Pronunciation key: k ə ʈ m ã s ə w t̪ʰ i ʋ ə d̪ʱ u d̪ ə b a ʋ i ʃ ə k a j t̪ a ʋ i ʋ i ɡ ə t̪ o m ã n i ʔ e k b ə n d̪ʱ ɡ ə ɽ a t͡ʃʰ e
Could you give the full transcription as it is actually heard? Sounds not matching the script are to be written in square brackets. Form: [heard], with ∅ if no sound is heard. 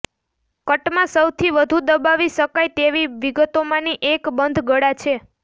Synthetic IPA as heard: k ə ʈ m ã s ə w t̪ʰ i ʋ ə d̪ʱ u d̪ ə b a ʋ i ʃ ə k a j t̪ [e] ʋ i ʋ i ɡ ə t̪ o m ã n i ʔ e k b ə n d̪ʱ ɡ ə ɽ a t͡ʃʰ e